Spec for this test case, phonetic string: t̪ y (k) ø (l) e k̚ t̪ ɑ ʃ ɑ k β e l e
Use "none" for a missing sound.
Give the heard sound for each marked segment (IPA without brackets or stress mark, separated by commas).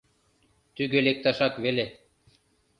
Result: ɡ, l